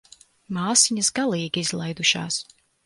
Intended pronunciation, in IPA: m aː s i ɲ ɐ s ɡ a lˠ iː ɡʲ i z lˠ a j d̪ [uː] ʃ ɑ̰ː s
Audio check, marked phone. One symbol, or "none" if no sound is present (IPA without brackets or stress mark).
u